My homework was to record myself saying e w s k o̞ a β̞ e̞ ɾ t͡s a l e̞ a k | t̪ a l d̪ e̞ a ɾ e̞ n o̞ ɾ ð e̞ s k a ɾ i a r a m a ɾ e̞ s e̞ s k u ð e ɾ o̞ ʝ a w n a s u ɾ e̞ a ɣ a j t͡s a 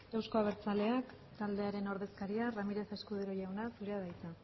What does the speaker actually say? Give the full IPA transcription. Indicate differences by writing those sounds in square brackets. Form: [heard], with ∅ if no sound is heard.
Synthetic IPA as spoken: e w s k o̞ a β̞ e̞ ɾ t͡s a l e̞ a k | t̪ a l d̪ e̞ a ɾ e̞ n o̞ ɾ ð e̞ s k a ɾ i a r a m [i] ɾ e̞ s e̞ s k u ð e ɾ o̞ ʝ a w n a s u ɾ e̞ a [ð] a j t͡s a